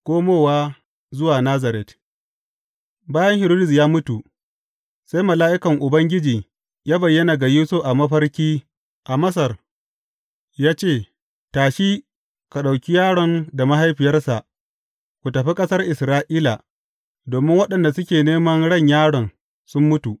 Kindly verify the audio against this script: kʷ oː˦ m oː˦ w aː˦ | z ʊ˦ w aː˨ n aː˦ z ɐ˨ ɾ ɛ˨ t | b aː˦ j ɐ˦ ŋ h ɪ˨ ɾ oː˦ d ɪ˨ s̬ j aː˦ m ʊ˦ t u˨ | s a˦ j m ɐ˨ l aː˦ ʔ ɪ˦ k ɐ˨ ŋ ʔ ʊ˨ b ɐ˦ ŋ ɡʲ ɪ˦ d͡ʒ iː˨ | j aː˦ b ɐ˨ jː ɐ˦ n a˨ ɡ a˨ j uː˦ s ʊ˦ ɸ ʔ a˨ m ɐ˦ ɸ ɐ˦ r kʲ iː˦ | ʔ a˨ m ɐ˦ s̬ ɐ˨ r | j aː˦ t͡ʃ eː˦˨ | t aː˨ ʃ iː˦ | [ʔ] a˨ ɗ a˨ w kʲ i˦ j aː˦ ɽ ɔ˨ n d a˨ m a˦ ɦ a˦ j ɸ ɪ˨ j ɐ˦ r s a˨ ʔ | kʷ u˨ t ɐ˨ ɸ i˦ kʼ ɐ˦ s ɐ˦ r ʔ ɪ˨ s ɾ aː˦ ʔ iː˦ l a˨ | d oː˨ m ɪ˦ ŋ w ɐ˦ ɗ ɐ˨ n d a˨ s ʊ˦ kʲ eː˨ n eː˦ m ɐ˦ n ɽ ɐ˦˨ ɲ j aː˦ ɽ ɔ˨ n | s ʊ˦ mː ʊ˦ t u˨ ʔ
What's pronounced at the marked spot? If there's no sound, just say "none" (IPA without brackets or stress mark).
k